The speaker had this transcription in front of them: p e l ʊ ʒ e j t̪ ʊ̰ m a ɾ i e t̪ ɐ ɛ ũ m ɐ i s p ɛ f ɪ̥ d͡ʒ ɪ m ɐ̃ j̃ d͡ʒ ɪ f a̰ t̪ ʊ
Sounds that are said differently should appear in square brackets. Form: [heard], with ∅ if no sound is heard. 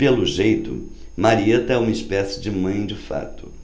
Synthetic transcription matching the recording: p e l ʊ ʒ e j t̪ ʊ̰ m a ɾ i e t̪ ɐ ɛ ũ m ɐ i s p ɛ [s] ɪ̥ d͡ʒ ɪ m ɐ̃ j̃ d͡ʒ ɪ f a̰ t̪ ʊ